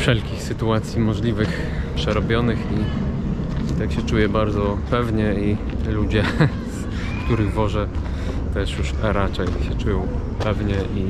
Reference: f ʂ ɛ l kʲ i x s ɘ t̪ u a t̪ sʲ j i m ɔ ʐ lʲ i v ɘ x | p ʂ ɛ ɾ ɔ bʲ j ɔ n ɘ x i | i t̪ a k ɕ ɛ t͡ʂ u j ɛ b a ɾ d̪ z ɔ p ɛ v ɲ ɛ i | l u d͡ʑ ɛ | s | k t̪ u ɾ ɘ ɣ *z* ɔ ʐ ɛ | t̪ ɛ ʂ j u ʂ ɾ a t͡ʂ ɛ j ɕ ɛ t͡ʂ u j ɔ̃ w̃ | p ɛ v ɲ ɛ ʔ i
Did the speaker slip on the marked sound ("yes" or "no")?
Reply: yes